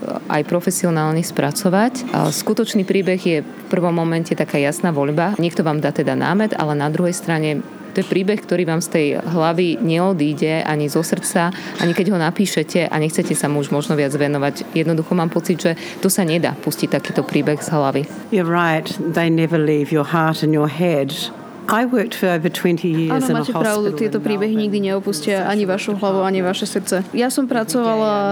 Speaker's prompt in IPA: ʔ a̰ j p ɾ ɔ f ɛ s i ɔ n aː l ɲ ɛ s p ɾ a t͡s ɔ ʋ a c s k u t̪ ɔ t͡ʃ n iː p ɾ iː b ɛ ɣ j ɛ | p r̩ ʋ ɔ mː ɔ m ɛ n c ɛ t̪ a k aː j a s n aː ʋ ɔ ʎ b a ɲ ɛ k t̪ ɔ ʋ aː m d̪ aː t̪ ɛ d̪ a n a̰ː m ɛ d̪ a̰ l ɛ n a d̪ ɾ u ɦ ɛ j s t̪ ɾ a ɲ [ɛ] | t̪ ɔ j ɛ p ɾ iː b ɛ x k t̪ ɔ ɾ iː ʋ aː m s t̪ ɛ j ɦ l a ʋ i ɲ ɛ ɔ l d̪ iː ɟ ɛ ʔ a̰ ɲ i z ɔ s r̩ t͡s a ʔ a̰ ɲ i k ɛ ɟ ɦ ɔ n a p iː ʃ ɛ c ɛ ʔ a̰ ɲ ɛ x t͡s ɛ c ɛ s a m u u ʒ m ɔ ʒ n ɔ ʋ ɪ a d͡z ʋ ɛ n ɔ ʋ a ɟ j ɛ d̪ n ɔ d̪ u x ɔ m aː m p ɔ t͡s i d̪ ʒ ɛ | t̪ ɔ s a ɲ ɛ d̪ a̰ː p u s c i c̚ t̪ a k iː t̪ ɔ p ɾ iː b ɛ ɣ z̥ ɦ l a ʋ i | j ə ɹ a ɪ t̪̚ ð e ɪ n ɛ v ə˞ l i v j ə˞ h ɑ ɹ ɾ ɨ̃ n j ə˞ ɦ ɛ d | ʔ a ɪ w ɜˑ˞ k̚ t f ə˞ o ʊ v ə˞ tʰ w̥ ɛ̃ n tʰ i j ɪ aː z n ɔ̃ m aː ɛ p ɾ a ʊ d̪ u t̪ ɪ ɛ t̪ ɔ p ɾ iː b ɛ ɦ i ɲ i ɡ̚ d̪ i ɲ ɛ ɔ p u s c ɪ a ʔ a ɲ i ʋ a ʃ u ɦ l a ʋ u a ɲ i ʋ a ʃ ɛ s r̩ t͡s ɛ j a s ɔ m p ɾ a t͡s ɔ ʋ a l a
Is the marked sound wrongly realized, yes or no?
no